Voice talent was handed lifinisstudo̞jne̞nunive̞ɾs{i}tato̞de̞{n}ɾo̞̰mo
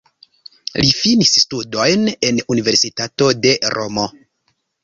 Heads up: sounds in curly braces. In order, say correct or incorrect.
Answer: correct, incorrect

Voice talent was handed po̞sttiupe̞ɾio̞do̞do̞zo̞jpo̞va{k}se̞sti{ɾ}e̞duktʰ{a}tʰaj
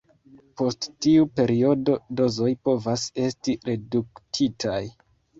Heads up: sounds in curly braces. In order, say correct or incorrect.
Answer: incorrect, correct, incorrect

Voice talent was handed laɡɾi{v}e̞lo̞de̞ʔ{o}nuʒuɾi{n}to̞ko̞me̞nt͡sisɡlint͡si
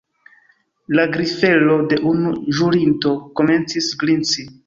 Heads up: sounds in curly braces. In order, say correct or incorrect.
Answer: incorrect, incorrect, correct

